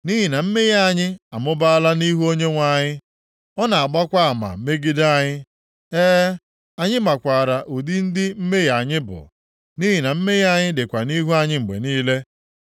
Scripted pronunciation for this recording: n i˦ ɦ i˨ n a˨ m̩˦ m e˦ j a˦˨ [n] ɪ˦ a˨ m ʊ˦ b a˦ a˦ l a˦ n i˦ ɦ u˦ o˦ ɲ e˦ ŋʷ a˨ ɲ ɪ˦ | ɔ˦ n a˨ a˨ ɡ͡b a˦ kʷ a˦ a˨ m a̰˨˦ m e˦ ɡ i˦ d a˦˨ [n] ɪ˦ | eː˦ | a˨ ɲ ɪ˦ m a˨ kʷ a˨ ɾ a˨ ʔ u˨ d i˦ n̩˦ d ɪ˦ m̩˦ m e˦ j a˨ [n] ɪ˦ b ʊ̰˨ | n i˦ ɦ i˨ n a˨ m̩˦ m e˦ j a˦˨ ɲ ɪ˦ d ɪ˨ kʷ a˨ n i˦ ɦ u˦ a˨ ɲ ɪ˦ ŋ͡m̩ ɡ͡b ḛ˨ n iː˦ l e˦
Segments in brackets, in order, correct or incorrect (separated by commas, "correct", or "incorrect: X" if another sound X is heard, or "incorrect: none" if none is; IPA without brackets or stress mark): incorrect: ɲ, incorrect: ɲ, incorrect: ɲ